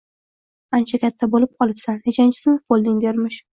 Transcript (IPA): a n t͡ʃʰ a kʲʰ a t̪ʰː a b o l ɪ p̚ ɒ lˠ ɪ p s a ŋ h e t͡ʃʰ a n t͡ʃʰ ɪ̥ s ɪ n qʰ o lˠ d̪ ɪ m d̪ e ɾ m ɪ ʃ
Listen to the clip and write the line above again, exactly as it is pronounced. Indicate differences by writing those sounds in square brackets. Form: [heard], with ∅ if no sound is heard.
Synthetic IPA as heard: a n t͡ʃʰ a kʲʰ a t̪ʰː a b o l ɪ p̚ ɒ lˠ ɪ p s a [n] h e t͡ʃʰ a n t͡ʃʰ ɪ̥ s ɪ n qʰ o lˠ d̪ ɪ [ŋ] d̪ e ɾ m ɪ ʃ